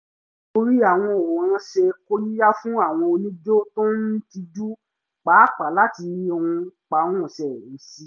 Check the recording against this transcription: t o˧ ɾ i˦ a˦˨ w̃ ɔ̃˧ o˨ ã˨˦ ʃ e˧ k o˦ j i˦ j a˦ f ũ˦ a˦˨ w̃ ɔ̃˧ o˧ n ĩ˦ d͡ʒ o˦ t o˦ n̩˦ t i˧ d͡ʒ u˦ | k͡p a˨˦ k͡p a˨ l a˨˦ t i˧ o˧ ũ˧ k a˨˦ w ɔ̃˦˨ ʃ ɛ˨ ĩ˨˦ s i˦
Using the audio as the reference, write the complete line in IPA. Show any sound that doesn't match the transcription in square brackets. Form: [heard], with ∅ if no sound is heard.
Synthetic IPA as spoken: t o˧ ɾ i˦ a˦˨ w̃ ɔ̃˧ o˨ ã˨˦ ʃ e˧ k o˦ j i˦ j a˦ f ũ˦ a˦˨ w̃ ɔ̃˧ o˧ n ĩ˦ d͡ʒ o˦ t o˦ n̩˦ t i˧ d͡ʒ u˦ | k͡p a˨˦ k͡p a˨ l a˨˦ t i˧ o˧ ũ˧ [k͡p] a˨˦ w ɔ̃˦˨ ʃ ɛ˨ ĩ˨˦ s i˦